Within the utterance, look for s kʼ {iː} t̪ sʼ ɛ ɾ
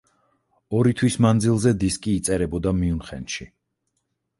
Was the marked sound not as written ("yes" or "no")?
no